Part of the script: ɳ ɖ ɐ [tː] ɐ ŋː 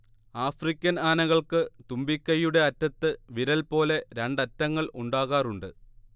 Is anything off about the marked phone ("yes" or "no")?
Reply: no